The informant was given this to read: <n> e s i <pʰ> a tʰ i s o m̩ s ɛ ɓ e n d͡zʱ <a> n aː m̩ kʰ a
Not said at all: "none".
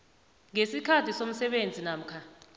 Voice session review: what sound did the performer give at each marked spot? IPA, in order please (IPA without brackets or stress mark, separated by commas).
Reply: ŋ, kʰ, i